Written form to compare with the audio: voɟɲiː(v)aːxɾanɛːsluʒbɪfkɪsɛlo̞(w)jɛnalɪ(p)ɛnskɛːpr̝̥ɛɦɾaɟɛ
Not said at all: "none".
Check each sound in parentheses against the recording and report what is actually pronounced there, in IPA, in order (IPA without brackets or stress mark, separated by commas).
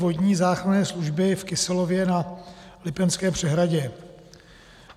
z, v, p